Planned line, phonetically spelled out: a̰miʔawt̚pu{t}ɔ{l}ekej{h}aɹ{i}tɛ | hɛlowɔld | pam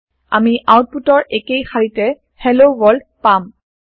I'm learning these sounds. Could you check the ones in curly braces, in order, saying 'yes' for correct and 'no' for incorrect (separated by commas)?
yes, no, no, yes